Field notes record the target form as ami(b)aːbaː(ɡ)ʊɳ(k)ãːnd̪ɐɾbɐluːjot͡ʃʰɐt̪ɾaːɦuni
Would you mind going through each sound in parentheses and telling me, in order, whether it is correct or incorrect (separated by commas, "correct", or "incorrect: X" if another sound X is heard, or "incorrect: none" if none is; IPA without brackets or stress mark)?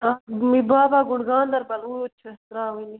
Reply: correct, correct, incorrect: ɡ